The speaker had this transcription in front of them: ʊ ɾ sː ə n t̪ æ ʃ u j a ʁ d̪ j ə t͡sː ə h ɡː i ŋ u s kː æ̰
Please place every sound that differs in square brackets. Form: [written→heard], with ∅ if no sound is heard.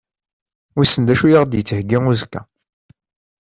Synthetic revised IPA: ʊ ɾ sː ə n [t̪→d̪] æ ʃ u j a ʁ d̪ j ə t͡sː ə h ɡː i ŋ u [s→z] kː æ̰